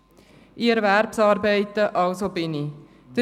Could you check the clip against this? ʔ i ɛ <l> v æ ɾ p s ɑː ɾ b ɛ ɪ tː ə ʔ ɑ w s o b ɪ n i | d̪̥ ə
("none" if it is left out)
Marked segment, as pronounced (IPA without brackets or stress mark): ɾ